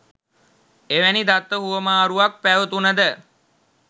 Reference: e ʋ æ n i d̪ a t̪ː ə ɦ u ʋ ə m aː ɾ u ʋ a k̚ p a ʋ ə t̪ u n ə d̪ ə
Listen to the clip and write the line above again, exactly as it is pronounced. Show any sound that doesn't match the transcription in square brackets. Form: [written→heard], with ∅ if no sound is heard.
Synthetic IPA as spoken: e ʋ æ n i d̪ a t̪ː ə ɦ u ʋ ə m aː ɾ u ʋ a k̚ p [a→æ] ʋ ə t̪ u n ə d̪ ə